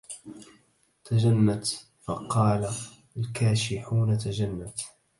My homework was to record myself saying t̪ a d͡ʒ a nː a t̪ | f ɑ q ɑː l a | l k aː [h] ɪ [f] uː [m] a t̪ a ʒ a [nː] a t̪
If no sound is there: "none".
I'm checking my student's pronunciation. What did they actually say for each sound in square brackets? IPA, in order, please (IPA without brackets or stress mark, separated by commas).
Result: ʃ, ħ, n, nː